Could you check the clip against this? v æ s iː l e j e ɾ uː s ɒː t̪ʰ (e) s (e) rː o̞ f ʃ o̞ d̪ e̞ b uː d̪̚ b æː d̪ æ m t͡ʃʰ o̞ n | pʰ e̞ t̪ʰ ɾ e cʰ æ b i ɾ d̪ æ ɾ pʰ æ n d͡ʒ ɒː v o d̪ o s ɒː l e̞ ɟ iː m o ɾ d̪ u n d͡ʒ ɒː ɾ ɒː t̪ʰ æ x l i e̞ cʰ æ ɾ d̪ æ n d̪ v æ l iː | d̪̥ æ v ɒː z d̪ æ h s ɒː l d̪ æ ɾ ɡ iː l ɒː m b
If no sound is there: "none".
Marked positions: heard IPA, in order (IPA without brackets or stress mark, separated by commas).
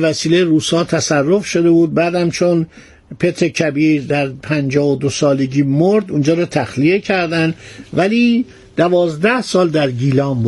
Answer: æ, æ